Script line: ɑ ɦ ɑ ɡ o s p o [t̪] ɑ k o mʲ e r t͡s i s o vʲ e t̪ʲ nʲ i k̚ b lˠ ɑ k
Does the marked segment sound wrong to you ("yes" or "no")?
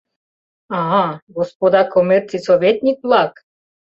yes